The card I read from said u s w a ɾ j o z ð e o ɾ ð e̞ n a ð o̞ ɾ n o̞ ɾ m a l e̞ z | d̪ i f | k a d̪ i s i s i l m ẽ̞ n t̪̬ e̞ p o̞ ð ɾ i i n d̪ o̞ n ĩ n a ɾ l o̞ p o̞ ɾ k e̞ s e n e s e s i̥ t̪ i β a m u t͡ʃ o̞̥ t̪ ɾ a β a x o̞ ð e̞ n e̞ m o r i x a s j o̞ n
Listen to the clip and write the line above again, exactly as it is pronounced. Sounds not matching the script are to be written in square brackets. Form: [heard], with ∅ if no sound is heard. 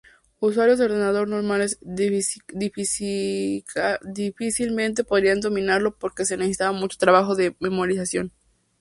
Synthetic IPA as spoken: u s w a ɾ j o z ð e o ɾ ð e̞ n a ð o̞ ɾ n o̞ ɾ m a l e̞ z | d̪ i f | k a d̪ i [f] i s i l m ẽ̞ n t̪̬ e̞ p o̞ ð ɾ i [a] n d̪ o̞ [m] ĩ n a ɾ l o̞ p o̞ ɾ k e̞ s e n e s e s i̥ t̪ [a] β a m u t͡ʃ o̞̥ t̪ ɾ a β a x o̞ ð e̞ [m] e̞ m o [ɾ] i [s] a s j o̞ n